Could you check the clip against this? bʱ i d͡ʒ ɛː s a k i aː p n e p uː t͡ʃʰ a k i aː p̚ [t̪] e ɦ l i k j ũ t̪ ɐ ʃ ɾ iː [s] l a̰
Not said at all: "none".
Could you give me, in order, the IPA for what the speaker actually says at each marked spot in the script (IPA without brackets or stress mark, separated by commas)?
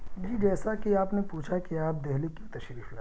d̪, f